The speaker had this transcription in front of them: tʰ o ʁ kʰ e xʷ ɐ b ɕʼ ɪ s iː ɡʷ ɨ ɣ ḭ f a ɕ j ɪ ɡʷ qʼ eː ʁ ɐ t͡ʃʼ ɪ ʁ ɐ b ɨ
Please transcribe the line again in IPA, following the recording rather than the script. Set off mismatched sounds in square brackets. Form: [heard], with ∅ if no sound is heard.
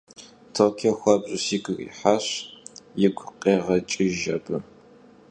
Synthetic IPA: tʰ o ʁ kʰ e xʷ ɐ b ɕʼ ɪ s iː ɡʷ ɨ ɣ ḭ [ħ] a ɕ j ɪ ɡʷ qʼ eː ʁ ɐ t͡ʃʼ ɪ [ʒ] ɐ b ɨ